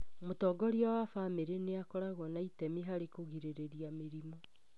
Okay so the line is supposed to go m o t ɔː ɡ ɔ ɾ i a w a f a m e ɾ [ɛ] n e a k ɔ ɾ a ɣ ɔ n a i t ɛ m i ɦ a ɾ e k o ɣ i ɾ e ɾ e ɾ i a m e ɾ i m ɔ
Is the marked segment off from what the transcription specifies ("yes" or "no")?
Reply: yes